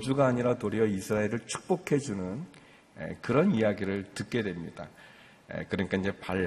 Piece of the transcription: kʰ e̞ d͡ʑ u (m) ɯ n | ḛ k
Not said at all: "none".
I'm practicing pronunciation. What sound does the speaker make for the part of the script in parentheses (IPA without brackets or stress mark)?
n